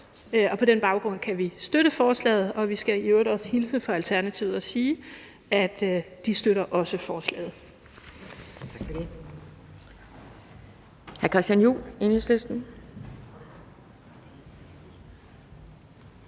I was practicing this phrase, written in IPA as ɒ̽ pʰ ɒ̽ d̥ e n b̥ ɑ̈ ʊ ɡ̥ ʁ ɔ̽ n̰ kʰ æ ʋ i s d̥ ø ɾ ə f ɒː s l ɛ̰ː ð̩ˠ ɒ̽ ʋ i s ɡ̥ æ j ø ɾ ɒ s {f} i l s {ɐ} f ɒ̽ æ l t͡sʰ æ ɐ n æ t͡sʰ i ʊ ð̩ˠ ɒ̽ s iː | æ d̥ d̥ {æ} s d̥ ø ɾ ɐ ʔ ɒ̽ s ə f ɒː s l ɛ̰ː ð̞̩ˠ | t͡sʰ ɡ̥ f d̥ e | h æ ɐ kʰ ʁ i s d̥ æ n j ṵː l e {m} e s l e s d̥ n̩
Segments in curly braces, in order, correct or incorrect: incorrect: h, incorrect: ə, incorrect: i, incorrect: n

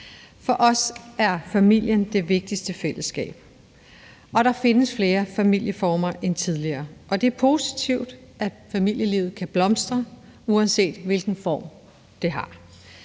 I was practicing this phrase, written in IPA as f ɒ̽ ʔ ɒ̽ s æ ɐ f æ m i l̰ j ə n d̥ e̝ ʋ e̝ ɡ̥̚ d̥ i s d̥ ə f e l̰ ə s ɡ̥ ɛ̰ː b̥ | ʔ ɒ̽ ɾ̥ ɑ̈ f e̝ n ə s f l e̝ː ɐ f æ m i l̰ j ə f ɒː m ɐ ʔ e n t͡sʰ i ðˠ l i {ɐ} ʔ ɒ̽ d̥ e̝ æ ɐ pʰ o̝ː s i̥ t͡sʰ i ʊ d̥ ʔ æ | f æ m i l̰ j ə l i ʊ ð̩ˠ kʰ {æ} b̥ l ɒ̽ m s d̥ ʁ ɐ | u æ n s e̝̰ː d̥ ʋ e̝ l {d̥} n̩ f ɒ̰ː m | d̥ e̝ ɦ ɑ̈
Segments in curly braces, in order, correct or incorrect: incorrect: ɐː, correct, incorrect: ɡ̥

